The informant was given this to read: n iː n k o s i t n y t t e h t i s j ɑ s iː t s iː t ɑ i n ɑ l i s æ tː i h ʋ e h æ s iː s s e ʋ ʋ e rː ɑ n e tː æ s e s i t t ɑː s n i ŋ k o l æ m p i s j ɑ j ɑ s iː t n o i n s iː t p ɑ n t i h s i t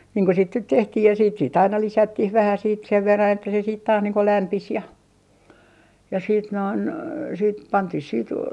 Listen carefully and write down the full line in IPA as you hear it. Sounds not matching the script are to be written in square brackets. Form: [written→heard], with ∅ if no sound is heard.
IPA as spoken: n iː [n→ŋ] k o s i t n y t t e h t i [s→h] j ɑ s iː t s iː t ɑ i n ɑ l i s æ tː i h ʋ [e→æ] h æ s iː [s→t] s e ʋ ʋ e rː ɑ n e tː æ s e s [i→iː] t t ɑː s n [i→iː] ŋ k o l æ m p i s j ɑ j ɑ s iː t n o i n s iː t p ɑ n t i h s [i→iː] t